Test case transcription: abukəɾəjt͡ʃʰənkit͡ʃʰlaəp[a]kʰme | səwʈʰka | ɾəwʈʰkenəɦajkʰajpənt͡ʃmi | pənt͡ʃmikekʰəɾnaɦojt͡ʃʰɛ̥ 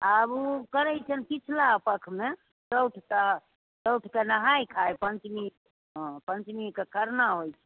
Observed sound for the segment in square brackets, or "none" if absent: ə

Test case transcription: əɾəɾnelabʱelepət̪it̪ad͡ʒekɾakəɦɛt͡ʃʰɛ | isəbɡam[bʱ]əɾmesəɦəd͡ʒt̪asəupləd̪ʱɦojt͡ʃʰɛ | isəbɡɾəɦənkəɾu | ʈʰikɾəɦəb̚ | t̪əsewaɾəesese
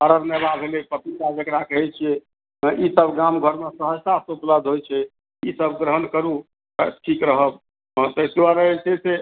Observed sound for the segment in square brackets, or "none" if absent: ɡʱ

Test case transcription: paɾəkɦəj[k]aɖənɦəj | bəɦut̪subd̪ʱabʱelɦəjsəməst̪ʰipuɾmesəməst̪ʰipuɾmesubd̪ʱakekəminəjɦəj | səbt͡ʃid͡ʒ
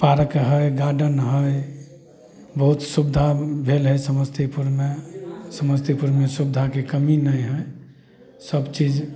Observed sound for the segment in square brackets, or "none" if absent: ɡ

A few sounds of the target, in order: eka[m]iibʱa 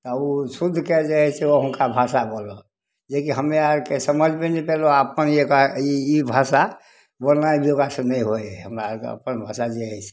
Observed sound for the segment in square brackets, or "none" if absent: none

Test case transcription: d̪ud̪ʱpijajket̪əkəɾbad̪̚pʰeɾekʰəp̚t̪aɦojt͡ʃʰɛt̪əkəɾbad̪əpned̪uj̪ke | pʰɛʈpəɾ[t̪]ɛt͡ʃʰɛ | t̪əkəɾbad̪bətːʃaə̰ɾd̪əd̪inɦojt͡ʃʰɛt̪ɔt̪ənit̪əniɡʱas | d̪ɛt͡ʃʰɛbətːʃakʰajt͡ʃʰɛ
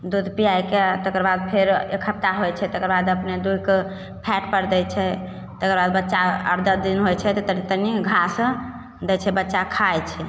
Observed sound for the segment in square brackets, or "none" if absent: d̪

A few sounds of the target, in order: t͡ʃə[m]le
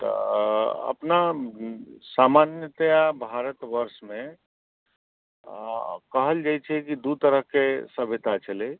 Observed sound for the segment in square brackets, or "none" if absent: none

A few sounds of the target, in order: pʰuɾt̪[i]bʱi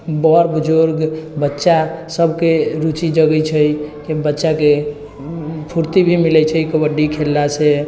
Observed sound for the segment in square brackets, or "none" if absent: i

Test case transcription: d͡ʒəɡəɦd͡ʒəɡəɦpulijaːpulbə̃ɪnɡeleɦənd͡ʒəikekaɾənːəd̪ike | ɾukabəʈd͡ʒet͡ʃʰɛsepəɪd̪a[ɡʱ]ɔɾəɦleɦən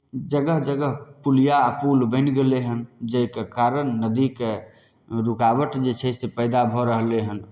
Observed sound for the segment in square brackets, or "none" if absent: bʱ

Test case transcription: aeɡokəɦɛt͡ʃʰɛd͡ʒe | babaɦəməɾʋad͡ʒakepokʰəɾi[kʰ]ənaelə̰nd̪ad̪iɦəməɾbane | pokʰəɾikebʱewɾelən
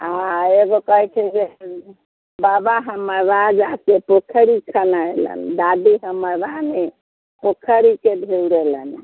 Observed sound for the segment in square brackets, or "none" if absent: kʰ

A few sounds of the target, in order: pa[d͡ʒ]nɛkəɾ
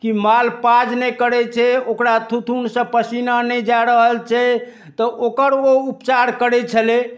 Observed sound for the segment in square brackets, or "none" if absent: d͡ʒ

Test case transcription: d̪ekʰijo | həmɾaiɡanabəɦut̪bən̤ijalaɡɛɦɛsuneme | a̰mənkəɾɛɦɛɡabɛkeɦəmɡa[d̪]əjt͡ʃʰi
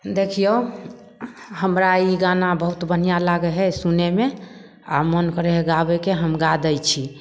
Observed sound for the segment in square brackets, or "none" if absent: d̪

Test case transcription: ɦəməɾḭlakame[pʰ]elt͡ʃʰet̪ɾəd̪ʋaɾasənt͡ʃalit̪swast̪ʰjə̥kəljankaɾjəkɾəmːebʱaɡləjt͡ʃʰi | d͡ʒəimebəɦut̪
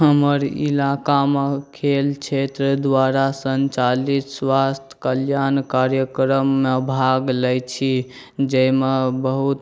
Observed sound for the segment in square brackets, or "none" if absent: kʰ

